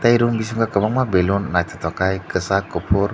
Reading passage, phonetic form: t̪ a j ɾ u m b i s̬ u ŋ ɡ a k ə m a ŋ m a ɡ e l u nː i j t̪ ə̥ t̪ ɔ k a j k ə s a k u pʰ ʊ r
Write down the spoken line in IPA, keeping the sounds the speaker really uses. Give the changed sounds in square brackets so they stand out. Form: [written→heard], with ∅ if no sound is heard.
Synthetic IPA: t̪ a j ɾ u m b i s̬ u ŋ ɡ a k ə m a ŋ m a [ɡ→b] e l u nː [i→a] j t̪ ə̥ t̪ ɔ k a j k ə s a k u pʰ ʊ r